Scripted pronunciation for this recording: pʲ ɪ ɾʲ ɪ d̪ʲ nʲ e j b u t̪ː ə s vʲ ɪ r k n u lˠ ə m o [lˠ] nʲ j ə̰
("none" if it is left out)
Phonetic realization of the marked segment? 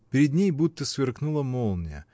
lˠ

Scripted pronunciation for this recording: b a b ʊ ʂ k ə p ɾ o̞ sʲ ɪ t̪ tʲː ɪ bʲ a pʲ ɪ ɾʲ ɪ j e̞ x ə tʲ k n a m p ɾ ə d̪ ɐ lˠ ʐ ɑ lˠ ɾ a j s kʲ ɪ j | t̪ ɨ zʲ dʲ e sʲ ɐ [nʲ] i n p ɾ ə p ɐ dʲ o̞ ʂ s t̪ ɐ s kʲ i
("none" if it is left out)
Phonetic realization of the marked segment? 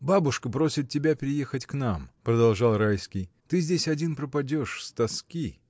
dʲ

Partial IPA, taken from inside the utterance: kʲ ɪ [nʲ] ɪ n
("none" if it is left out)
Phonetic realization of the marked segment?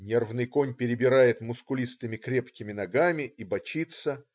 mʲ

